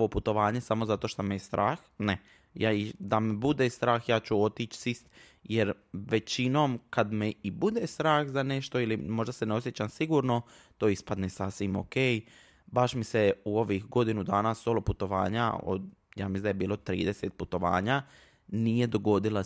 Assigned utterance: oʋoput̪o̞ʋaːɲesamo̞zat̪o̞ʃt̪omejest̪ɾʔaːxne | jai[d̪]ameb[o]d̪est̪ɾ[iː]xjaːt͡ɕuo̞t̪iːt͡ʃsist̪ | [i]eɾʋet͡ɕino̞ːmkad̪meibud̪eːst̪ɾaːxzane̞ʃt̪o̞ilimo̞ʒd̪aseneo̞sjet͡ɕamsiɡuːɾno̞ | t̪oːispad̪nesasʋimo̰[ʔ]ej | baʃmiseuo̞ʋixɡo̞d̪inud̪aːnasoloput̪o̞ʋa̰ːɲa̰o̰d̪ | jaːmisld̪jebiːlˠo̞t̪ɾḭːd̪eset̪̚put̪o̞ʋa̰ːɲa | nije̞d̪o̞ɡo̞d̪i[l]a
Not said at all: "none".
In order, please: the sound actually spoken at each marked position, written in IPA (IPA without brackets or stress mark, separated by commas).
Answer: d̪, u, aː, j, k, l